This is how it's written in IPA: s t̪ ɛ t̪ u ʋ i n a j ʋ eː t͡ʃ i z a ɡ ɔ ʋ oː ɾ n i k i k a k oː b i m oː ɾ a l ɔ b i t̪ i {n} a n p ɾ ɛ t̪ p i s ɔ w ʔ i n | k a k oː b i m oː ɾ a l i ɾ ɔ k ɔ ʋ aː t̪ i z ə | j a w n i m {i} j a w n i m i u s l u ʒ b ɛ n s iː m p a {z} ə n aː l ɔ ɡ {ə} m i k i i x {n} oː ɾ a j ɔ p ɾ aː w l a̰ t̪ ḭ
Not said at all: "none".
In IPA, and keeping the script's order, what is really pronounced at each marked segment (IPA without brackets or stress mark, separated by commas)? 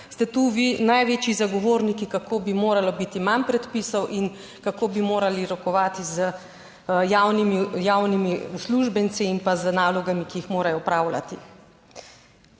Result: m, i, z, a, m